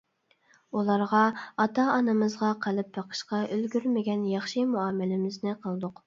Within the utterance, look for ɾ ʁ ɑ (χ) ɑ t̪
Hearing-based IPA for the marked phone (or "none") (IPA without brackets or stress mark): none